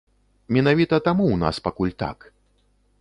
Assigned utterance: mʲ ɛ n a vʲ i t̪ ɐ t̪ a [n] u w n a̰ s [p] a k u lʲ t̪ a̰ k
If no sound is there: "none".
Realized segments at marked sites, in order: m, p

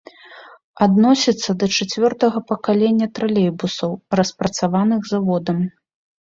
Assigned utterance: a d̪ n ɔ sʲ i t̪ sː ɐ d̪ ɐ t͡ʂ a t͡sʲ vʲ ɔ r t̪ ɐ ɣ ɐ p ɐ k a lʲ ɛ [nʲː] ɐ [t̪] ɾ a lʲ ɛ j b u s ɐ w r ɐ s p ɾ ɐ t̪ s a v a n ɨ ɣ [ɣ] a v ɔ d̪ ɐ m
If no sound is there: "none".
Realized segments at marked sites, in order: nʲː, t̪, z

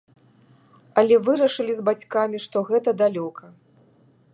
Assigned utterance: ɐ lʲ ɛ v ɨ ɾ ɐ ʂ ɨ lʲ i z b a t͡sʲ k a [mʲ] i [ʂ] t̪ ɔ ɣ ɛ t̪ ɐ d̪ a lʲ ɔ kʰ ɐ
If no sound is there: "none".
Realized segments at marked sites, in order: mʲ, ʂ

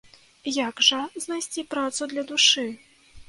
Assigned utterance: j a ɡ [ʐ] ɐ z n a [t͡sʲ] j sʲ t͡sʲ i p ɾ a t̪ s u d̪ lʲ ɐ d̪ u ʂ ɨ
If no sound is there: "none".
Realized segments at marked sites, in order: ʐ, none

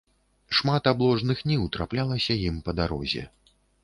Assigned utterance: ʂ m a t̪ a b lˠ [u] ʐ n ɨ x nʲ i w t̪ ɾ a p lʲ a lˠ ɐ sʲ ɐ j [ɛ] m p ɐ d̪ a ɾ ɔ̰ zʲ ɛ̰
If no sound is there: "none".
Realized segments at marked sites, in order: ɔ, i

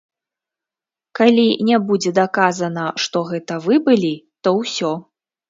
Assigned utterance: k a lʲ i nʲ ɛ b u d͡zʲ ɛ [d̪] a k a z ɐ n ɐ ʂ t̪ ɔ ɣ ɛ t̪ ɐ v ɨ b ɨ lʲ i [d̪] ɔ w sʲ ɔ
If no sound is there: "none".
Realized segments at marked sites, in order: d̪, t̪

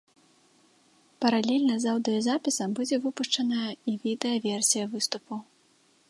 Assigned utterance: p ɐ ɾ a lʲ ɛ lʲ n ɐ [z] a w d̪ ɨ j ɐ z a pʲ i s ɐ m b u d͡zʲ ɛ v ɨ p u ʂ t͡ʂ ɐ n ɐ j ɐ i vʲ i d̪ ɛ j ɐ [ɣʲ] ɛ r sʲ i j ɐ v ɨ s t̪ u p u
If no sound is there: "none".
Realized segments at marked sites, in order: z, vʲ

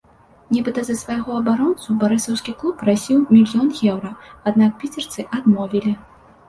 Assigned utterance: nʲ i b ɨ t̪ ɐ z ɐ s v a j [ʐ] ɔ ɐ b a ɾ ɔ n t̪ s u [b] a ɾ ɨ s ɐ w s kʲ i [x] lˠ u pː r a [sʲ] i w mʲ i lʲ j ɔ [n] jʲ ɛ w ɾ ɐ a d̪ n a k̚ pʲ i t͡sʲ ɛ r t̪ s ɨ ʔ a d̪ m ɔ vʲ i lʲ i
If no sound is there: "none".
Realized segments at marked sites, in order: ɣ, b, k, sʲ, n

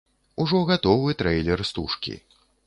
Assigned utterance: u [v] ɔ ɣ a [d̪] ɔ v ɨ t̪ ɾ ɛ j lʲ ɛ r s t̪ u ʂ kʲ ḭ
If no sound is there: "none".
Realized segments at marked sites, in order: ʐ, t̪

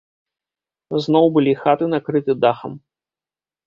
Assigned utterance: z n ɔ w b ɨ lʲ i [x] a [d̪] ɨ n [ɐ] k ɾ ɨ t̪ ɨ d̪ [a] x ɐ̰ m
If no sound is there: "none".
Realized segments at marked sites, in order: x, t̪, a, a

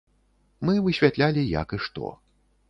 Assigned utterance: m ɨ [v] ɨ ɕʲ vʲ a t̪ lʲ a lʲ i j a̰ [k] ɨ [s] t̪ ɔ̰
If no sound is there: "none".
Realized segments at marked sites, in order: v, k, ʂ

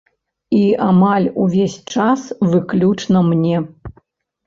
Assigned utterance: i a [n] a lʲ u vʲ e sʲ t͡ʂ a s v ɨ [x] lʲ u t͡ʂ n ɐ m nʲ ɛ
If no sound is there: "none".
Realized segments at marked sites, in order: m, k

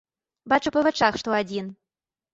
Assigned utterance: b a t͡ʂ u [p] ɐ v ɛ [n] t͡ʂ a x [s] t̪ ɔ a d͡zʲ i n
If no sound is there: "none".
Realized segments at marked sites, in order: p, none, ʂ

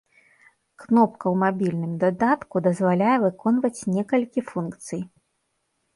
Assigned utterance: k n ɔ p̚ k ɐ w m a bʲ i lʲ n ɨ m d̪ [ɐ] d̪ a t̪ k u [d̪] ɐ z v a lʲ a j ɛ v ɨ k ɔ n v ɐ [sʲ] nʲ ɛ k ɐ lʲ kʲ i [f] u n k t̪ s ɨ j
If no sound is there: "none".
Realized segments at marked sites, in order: a, d̪, t͡sʲ, f

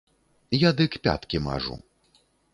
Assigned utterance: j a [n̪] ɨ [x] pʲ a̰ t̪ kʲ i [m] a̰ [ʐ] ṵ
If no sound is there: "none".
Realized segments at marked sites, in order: d̪, k, m, ʐ

